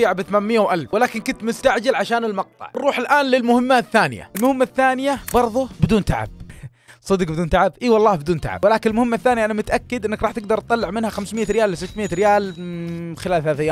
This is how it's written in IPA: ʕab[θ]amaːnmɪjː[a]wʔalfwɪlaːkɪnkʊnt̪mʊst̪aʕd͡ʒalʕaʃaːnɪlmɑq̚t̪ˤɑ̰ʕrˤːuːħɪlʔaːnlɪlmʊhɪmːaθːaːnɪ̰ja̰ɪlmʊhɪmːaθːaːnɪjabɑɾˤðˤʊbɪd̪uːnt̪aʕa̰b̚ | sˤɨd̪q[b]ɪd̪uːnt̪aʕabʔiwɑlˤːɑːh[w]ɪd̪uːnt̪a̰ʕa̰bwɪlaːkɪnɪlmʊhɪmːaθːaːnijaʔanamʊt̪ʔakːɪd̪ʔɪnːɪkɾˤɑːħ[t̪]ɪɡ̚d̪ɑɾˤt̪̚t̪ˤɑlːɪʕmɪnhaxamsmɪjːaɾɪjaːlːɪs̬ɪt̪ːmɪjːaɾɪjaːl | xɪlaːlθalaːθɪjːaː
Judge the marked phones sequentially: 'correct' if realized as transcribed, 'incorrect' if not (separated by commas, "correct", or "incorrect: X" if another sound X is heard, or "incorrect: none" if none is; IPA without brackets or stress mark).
correct, correct, correct, incorrect: b, correct